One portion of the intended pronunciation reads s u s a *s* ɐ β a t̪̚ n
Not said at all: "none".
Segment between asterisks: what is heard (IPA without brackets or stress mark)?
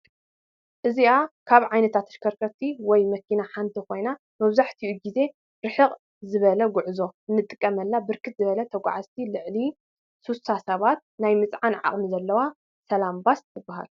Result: s